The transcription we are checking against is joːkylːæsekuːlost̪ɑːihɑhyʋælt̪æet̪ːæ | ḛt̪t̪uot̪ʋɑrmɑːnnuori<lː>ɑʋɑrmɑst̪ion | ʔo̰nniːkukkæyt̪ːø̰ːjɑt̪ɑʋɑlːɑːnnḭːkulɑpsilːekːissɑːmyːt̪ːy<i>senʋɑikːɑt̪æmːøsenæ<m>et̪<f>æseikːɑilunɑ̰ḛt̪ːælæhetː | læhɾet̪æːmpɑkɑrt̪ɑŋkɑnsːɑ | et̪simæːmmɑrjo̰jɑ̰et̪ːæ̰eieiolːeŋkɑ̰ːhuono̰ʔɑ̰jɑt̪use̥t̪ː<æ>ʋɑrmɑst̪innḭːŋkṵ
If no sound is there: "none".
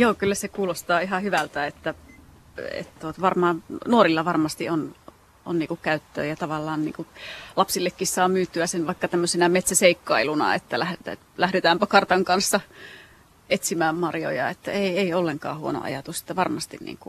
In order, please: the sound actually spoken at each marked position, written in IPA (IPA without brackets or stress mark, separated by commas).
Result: lː, æ, m, s, æ